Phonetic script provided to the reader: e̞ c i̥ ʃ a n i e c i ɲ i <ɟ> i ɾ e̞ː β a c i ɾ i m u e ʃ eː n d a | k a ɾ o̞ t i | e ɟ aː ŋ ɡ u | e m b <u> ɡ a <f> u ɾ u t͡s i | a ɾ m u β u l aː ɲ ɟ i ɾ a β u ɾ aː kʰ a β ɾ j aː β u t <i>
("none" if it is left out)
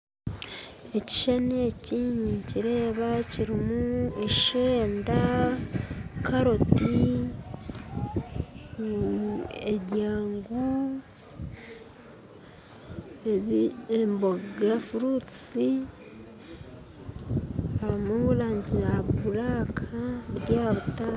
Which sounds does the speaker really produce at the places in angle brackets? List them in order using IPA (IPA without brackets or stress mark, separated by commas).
c, o, f, a